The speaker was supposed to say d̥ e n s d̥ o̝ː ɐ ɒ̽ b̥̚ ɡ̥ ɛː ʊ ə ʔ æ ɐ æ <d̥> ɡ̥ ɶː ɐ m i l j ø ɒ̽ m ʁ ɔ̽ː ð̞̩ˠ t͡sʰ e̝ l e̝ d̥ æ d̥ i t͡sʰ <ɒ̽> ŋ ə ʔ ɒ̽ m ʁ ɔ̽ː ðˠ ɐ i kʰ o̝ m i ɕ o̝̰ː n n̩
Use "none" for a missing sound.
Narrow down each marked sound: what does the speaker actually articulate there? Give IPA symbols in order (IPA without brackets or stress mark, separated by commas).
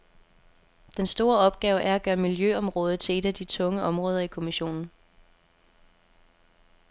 none, ɔ̽